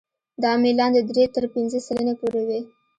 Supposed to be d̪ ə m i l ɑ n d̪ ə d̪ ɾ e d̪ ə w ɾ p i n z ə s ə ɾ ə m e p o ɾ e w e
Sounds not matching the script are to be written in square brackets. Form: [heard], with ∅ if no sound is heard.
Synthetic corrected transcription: d̪ [ɑ] m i l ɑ n d̪ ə d̪ ɾ e [t̪] ə [∅] ɾ p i n z ə s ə [l] ə [n] e p o ɾ e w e